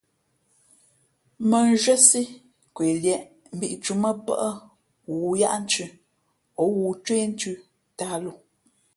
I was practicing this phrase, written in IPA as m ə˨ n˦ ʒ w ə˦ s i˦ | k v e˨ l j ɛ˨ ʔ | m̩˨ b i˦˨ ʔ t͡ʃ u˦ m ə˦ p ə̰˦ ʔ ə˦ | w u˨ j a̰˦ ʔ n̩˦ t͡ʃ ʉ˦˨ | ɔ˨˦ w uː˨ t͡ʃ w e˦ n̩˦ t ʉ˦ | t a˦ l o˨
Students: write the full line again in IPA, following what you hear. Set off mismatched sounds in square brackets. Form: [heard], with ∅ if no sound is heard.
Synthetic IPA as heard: m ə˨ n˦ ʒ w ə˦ s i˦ | k [w] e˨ l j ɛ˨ ʔ | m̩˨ b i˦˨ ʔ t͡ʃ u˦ m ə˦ p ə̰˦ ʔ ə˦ | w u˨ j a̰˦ ʔ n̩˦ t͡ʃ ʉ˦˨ | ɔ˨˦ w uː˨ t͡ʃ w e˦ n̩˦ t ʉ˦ | t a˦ l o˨